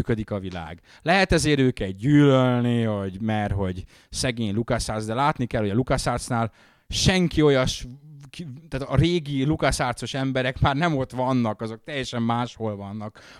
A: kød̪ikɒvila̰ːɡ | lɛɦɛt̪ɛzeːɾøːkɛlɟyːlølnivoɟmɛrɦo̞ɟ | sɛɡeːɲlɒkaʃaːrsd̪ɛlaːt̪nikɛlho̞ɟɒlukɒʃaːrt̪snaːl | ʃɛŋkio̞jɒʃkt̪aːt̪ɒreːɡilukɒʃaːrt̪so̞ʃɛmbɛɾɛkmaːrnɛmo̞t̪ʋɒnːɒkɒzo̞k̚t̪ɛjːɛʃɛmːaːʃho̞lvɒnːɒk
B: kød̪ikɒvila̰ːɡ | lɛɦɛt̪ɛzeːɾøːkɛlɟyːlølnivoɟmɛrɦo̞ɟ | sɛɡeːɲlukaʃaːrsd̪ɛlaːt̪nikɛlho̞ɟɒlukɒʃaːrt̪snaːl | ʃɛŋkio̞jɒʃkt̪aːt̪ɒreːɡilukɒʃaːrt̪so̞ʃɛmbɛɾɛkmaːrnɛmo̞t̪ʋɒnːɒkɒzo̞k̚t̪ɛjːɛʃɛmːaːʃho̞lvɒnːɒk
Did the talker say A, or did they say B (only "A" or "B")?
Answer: B